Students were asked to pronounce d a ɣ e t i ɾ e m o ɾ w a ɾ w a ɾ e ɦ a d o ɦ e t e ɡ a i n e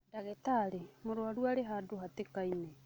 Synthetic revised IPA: d a ɣ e t a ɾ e m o ɾ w a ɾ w a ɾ e ɦ a d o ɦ a t e k a i n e